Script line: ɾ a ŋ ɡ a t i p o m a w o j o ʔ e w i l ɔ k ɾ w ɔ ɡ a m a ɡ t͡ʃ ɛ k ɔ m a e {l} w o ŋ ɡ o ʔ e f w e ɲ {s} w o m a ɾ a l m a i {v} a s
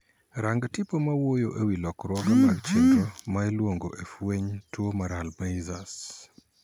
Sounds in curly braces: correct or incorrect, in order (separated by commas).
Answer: correct, incorrect, incorrect